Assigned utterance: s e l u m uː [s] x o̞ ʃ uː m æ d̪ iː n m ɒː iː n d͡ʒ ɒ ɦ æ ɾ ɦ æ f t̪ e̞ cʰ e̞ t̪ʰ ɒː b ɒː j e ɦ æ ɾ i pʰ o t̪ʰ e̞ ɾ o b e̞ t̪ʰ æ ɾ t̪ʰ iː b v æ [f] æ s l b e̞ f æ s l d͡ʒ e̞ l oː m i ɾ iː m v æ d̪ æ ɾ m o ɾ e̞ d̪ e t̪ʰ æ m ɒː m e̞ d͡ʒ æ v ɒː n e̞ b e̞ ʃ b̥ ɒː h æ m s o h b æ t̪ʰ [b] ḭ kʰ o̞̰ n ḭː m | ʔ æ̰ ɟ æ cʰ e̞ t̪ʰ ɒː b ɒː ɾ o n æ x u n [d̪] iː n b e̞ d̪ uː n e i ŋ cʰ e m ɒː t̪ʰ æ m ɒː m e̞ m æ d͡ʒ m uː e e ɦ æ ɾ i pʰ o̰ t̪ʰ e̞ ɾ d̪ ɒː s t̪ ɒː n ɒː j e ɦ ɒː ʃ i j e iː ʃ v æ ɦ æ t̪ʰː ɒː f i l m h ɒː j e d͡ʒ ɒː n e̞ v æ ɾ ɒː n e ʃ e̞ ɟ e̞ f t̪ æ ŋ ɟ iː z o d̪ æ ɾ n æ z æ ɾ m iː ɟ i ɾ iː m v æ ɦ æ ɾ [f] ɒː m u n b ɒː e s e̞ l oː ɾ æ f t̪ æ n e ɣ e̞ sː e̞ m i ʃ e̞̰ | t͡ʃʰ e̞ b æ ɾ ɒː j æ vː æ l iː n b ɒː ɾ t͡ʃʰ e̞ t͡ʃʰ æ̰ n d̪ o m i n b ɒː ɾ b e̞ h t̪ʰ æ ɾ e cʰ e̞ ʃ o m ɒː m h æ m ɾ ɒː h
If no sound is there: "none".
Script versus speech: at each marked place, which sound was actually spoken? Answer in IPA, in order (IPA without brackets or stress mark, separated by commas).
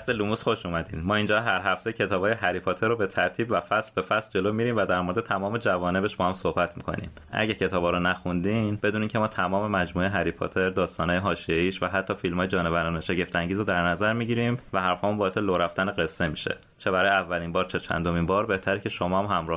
s, f, m, d̪, f